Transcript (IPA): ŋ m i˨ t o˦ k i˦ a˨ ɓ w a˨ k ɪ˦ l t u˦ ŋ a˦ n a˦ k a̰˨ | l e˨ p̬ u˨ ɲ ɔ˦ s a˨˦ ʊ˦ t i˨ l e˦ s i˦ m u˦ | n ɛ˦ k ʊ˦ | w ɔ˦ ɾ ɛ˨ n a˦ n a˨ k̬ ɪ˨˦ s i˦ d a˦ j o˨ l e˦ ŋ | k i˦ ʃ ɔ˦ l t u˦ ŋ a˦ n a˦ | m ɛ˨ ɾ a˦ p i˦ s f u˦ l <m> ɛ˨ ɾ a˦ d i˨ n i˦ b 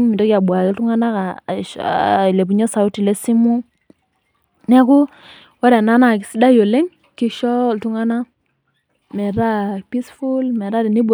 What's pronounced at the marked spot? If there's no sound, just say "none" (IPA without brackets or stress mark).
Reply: m